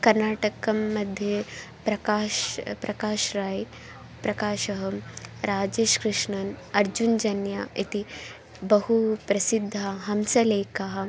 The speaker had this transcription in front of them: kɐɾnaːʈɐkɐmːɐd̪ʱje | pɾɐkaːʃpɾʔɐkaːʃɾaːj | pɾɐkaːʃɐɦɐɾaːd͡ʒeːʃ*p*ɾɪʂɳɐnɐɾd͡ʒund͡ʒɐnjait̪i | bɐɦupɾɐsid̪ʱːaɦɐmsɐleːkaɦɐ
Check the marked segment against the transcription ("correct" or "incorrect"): incorrect